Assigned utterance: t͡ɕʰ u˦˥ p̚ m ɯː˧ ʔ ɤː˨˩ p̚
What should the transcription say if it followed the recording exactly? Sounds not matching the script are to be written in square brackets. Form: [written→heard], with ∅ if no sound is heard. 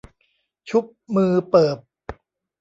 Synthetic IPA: t͡ɕʰ u˦˥ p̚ m ɯː˧ [ʔ→p] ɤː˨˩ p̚